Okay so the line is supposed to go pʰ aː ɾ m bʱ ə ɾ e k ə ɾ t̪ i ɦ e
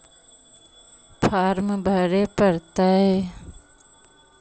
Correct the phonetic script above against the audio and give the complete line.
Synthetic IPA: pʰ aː ɾ m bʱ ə ɾ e p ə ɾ t̪ a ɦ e

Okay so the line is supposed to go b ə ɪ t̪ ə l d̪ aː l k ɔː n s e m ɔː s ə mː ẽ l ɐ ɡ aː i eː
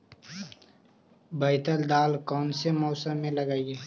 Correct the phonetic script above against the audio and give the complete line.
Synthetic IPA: b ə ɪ t̪ ə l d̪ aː l k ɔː n s e m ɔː s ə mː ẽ l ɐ ɡ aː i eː

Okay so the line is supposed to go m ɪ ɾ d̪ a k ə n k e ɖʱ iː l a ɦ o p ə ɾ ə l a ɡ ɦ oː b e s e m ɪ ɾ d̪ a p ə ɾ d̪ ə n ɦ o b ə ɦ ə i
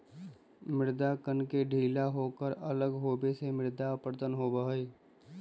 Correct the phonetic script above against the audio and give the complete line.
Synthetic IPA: m ɪ ɾ d̪ a k ə n k e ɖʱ iː l a ɦ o k ə ɾ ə l ə ɡ ɦ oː b e s e m ɪ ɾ d̪ a p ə ɾ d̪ ə n ɦ o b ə ɦ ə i

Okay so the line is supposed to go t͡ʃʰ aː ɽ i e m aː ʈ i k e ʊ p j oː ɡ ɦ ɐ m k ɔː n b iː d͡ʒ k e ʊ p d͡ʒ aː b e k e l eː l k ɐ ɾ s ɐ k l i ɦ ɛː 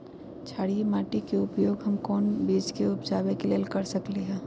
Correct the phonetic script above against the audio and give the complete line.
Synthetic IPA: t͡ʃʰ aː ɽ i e m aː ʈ i k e ʊ p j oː ɡ ɦ ɐ m k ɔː n b iː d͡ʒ k e ʊ p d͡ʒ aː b e k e l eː l k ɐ ɾ s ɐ k l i ɦ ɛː

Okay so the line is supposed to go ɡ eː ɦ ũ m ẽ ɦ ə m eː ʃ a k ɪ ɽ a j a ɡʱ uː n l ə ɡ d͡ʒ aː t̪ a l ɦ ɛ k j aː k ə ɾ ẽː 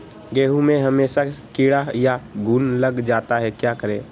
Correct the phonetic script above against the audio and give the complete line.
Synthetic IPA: ɡ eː ɦ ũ m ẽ ɦ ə m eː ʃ a k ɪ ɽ a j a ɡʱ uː n l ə ɡ d͡ʒ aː t̪ a ɦ ɛ k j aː k ə ɾ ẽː

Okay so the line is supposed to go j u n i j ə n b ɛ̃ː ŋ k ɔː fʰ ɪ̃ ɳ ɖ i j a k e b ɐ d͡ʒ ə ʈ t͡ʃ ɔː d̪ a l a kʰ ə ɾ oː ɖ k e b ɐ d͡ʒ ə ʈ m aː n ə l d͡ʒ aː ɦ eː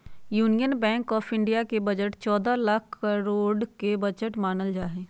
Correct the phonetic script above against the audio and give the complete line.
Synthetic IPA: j uː n i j ə n b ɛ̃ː ŋ k ɔː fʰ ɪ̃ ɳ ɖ i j a k e b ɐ d͡ʒ ə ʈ t͡ʃ ɔː d̪ a l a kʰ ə ɾ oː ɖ k e b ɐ d͡ʒ ə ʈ m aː n ə l d͡ʒ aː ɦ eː

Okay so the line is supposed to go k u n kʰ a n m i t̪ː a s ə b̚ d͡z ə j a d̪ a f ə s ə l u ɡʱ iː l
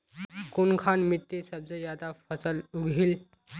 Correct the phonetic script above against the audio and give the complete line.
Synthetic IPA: k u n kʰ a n m i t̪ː e s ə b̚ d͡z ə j a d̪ a f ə s ə l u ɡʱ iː l

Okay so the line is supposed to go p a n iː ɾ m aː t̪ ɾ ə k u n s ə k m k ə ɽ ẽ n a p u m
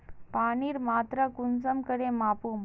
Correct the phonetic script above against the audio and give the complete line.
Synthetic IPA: p a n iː ɾ m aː t̪ ɾ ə k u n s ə m k ə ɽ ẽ m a p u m

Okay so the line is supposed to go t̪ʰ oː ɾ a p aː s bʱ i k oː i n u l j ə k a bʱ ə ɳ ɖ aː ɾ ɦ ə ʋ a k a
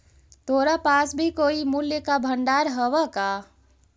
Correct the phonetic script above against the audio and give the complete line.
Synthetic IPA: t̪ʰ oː ɾ a p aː s bʱ i k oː i m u l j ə k a bʱ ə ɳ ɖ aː ɾ ɦ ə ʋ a k a

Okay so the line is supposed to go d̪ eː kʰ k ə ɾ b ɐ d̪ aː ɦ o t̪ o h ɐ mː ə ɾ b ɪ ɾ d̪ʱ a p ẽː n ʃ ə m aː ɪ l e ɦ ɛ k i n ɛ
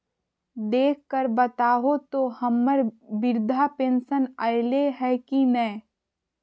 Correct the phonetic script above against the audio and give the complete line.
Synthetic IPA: d̪ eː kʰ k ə ɾ b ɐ t̪ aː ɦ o t̪ o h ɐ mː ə ɾ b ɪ ɾ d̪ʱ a p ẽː n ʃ ə n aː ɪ l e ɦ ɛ k i n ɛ

